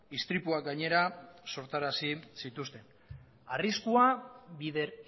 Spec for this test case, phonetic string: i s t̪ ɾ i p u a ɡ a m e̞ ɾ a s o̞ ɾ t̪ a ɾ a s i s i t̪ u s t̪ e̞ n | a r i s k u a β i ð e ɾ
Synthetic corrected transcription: i s t̪ ɾ i p u a ɡ a ɲ e̞ ɾ a s o̞ ɾ t̪ a ɾ a s i s i t̪ u s t̪ e̞ n | a r i s k u a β i ð e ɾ